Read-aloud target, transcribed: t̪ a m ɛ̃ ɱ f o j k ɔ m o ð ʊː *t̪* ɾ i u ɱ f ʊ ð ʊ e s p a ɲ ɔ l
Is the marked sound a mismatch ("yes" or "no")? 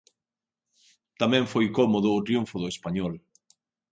no